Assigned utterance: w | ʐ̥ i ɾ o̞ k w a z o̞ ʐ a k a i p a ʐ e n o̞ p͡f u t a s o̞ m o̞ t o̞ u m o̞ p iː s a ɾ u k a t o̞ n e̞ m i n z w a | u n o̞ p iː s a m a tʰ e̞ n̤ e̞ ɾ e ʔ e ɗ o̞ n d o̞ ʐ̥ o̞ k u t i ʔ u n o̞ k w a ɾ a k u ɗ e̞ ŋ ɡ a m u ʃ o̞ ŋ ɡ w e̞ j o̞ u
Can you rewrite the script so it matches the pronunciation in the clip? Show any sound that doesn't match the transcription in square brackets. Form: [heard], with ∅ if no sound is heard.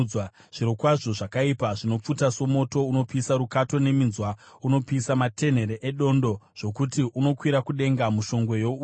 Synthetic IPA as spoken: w | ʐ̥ i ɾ o̞ k w a [ʐ] o̞ ʐ a k a i p a ʐ [i] n o̞ p͡f u t a s o̞ m o̞ t o̞ u [n] o̞ p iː s a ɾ u k a t o̞ n e̞ m i n z w a | u n o̞ p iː s a m a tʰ e̞ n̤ e̞ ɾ e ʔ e ɗ o̞ n d o̞ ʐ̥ o̞ k u t i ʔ u n o̞ k w [i] ɾ a k u ɗ e̞ ŋ ɡ a m u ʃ o̞ ŋ ɡ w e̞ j o̞ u